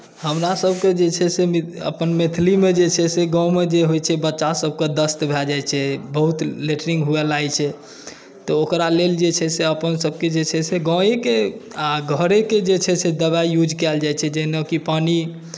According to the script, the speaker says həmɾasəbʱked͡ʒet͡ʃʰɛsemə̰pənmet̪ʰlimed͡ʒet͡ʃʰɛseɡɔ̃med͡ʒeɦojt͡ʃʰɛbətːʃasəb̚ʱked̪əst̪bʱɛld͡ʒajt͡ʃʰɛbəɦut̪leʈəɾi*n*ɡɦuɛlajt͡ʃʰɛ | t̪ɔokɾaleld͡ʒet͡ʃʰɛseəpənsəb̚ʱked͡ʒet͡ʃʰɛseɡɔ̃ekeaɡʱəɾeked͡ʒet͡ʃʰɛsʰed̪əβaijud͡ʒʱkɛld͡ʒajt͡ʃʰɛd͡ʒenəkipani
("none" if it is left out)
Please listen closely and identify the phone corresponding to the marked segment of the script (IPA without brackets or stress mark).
ŋ